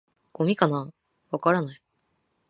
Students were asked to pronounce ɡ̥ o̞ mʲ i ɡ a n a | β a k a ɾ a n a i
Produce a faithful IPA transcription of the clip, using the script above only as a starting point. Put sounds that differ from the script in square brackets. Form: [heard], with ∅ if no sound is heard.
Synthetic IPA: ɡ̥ o̞ mʲ i [k] a n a | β a k a ɾ a n a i